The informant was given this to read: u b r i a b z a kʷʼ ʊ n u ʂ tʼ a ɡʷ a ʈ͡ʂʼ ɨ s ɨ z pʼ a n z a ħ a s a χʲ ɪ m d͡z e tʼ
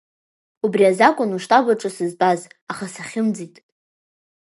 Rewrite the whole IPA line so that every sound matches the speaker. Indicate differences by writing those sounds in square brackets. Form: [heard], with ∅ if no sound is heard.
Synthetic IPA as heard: u b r i a [∅] z a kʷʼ ʊ n u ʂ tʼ a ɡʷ a ʈ͡ʂʼ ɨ s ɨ z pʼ a [∅] z a [χ] a s a χʲ ɪ m d͡z [i] tʼ